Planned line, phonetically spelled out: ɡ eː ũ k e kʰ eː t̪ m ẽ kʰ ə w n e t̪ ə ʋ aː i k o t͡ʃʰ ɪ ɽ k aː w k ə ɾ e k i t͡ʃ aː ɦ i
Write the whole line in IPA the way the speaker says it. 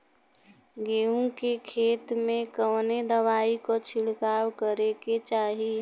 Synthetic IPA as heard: ɡ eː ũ k e kʰ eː t̪ m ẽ k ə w n e d̪ ə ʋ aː i k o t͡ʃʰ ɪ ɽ k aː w k ə ɾ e k e t͡ʃ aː ɦ i